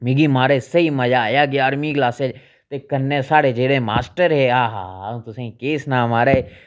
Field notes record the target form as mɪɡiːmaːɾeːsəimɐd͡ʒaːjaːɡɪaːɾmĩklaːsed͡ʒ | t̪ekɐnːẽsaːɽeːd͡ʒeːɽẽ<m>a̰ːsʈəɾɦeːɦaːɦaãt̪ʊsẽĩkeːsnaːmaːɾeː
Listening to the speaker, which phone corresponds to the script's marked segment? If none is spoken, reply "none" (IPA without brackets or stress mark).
m